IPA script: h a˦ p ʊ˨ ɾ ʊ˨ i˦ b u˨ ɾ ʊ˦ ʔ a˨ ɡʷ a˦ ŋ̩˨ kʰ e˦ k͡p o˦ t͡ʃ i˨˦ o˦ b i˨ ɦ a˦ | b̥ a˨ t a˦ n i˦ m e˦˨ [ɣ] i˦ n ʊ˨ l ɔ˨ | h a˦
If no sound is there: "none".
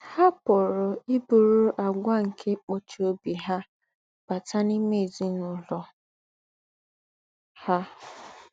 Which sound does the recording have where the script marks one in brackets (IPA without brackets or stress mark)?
z